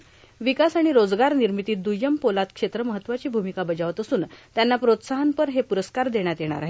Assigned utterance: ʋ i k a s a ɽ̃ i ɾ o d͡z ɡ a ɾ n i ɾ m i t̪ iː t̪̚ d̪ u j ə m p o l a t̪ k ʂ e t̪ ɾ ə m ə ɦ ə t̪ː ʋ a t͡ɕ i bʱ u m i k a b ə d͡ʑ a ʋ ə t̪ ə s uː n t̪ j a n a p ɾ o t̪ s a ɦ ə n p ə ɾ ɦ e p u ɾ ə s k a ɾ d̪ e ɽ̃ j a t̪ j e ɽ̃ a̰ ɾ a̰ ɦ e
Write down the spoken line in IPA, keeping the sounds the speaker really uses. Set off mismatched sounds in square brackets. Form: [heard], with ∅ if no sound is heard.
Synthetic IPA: ʋ i k a s a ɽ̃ i ɾ o d͡z ɡ a ɾ n i ɾ m i t̪ iː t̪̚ d̪ u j ə m p o l a t̪ k ʂ e t̪ ɾ ə m ə ɦ ə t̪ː ʋ a t͡ɕ [iː] bʱ u m i k a b ə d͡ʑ a ʋ ə t̪ ə s uː n t̪ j a [nː] a p ɾ o t̪ s a ɦ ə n p ə ɾ ɦ e p u ɾ ə s k a ɾ d̪ e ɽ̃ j a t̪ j e ɽ̃ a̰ ɾ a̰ ɦ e